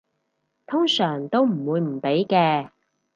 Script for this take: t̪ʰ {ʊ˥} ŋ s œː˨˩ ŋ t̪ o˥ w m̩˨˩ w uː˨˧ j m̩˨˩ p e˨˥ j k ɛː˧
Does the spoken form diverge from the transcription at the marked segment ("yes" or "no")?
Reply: no